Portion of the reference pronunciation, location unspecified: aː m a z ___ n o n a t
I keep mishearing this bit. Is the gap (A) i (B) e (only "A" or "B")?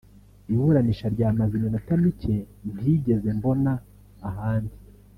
A